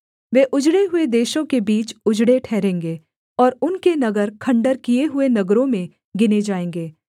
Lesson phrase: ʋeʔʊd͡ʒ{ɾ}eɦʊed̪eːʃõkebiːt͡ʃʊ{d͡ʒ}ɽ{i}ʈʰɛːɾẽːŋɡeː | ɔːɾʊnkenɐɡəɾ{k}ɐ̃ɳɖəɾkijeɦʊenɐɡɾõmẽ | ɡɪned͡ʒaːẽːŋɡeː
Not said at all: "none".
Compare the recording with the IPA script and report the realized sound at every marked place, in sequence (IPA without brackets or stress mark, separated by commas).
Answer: ɽ, d͡ʒ, e, kʰ